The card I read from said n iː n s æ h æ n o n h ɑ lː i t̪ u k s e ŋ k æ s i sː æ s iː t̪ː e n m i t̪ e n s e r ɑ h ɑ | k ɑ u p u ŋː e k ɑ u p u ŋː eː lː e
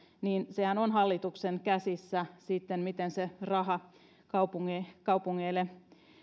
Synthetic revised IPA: n iː n s e h æ n o n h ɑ lː i t̪ u k s e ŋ k æ s i sː æ s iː t̪ː e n m i t̪ e n s e r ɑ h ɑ | k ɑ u p u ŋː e k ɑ u p u ŋː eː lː e